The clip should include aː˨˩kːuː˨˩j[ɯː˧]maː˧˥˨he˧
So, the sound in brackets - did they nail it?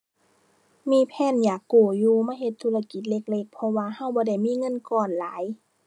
no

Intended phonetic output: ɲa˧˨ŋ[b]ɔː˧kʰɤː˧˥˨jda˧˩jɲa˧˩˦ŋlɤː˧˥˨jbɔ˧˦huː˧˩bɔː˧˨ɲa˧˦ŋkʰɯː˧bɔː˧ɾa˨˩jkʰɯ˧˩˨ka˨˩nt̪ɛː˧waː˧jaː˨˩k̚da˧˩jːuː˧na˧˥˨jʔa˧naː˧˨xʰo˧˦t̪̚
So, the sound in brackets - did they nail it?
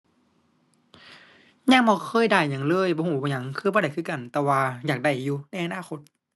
yes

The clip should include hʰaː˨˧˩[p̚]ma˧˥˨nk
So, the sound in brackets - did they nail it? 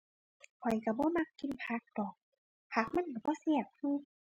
no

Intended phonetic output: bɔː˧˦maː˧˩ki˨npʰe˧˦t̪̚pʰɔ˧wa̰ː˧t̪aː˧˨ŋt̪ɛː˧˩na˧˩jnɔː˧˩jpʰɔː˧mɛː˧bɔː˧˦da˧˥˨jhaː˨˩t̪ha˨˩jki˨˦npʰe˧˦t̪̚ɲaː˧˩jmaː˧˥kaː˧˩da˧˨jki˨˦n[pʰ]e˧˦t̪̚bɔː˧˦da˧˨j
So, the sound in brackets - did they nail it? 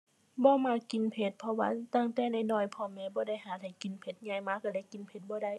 yes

